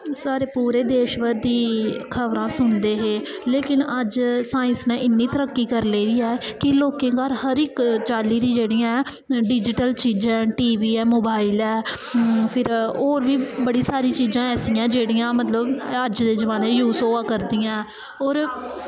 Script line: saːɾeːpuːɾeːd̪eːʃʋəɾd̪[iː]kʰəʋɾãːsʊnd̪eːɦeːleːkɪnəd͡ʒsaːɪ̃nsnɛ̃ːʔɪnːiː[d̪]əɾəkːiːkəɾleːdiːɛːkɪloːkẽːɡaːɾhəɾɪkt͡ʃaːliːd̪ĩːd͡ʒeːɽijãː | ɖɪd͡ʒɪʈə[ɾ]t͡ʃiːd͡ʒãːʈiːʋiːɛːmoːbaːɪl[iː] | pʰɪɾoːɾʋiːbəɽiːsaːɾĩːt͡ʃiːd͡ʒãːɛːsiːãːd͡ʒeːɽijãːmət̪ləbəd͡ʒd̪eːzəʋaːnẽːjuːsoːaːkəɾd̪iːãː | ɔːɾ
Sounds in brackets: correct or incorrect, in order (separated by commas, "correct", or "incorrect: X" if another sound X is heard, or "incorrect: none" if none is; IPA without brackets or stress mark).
correct, incorrect: t̪, incorrect: l, incorrect: ɛː